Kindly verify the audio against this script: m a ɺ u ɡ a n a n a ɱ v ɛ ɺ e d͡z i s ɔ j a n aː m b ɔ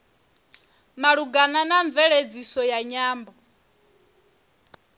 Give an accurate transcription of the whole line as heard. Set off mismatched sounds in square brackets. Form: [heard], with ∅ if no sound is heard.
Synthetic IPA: m a ɺ u ɡ a n a n a ɱ v ɛ ɺ e d͡z i s ɔ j a [ɲ] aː m b ɔ